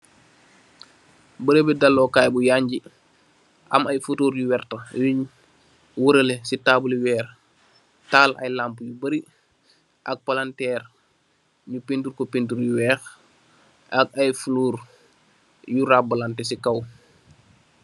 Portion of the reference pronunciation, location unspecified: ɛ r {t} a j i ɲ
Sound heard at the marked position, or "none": t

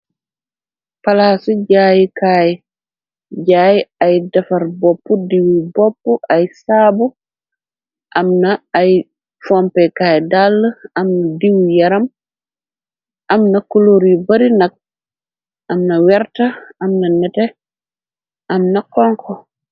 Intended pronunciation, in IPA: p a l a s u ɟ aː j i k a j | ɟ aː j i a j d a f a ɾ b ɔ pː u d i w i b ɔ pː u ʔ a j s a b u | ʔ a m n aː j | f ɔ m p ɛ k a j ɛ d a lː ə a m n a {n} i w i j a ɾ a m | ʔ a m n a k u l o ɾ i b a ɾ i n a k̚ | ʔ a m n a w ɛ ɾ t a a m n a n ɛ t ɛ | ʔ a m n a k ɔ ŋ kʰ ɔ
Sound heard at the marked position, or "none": d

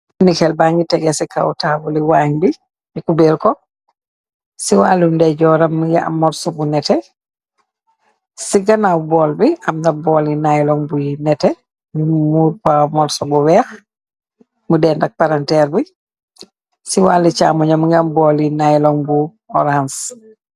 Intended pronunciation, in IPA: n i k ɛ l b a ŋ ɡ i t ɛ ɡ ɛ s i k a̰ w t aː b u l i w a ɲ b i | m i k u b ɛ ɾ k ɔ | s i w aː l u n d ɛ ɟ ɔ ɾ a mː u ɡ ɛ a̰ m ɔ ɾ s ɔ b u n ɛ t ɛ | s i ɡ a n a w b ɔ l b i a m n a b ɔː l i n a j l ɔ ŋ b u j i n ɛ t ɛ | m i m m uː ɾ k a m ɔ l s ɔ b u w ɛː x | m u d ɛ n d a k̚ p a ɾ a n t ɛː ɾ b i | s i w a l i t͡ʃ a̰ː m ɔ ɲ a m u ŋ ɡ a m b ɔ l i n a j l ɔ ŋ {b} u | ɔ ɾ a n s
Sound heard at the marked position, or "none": b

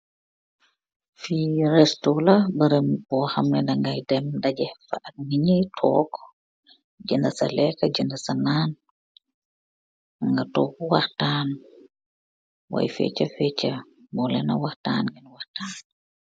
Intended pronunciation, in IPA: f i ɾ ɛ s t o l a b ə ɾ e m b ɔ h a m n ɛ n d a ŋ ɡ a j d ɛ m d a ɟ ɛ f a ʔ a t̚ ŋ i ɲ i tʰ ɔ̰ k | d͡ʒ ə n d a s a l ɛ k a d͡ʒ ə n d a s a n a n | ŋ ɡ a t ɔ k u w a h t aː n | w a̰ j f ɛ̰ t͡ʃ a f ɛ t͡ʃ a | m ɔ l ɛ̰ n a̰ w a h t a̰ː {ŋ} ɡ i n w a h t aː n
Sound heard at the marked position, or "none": n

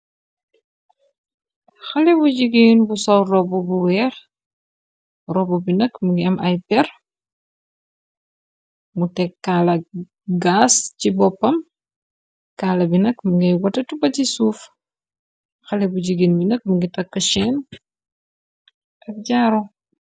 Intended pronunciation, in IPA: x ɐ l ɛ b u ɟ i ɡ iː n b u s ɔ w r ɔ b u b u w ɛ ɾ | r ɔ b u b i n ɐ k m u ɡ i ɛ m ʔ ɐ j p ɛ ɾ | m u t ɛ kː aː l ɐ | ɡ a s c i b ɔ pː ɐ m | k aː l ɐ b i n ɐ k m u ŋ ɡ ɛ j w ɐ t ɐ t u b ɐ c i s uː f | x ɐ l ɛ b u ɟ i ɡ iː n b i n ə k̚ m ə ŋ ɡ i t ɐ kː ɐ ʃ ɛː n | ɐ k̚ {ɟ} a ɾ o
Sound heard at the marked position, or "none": ɟ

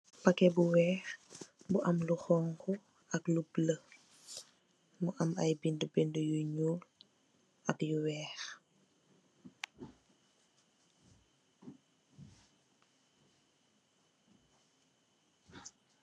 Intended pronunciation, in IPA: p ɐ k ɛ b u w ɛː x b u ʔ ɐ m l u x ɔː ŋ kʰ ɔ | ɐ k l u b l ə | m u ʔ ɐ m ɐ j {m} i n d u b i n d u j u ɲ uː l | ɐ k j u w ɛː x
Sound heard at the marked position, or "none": b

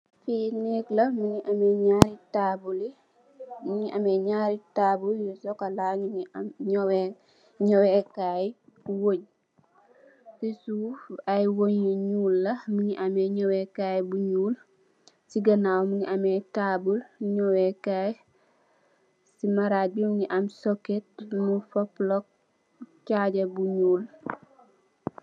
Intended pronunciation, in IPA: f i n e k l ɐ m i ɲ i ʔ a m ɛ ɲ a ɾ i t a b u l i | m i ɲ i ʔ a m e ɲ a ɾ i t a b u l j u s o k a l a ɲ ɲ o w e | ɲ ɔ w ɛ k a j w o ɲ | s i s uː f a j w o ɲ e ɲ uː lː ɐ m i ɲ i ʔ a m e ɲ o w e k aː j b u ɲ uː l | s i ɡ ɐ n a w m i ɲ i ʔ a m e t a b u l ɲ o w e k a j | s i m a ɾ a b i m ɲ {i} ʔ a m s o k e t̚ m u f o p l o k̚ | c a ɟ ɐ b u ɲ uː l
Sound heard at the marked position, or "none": i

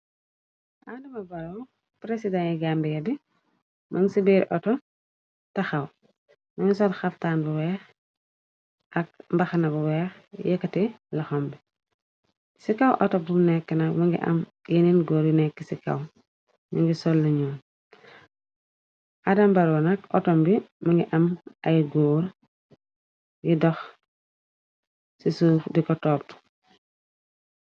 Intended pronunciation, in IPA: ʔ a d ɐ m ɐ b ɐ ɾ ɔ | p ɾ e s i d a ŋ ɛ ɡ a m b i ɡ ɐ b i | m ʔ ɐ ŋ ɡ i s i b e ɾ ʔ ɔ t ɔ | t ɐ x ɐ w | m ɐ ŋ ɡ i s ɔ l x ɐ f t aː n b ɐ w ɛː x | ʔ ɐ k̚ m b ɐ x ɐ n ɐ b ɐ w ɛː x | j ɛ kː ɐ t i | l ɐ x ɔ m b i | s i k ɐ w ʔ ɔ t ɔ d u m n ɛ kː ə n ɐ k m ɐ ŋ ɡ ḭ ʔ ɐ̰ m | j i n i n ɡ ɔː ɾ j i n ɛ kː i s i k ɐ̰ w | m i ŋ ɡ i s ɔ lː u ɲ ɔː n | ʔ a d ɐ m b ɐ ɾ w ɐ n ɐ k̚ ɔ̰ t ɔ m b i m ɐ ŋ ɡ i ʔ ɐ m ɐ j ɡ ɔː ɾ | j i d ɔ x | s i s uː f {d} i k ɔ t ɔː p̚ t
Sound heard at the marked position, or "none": d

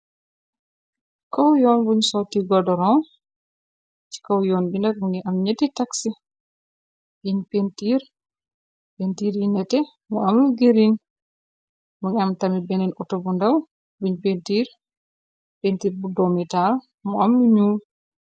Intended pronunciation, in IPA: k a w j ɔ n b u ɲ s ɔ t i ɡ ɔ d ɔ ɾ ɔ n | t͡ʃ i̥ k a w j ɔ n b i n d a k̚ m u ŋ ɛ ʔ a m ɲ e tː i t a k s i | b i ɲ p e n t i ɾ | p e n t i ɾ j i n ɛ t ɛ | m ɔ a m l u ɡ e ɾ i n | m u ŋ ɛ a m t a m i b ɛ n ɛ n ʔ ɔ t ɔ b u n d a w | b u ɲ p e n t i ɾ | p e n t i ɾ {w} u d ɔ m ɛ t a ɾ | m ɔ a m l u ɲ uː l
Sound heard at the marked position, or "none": b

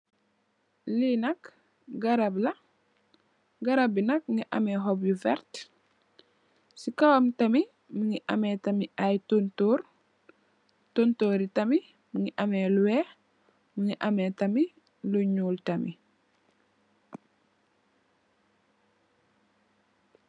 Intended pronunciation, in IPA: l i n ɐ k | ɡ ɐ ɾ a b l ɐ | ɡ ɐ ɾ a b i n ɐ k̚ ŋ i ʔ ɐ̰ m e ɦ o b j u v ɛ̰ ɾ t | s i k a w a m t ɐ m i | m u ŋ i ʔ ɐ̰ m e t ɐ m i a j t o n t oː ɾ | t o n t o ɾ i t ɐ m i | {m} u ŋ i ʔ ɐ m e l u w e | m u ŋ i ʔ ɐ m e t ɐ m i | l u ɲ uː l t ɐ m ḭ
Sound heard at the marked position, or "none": m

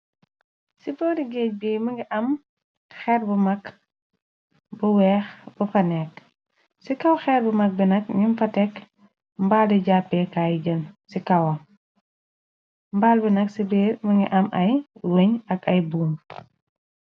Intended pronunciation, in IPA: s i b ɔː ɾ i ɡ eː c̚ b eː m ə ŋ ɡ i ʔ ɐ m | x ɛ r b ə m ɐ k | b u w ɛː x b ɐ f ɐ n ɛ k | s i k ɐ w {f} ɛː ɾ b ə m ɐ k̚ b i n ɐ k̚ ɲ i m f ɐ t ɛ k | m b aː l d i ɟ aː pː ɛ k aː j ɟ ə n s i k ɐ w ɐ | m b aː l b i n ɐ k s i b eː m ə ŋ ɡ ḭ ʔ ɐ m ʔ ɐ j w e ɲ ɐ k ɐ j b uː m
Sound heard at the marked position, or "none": x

